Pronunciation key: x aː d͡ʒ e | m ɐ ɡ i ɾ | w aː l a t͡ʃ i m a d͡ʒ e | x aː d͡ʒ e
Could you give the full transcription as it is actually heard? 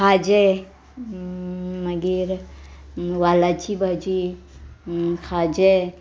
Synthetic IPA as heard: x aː d͡ʒ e | m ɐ ɡ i ɾ | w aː l a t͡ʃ i b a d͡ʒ i | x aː d͡ʒ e